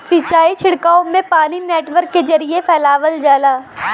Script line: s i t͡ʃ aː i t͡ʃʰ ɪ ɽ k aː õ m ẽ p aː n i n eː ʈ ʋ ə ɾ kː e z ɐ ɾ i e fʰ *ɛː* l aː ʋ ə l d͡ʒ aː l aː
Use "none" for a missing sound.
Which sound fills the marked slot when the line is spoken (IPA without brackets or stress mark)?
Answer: ɛː